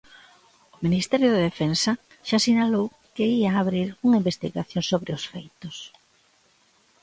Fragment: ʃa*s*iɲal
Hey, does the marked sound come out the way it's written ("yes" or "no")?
yes